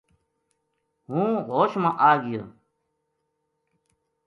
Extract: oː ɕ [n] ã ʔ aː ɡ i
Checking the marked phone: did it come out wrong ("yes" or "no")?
yes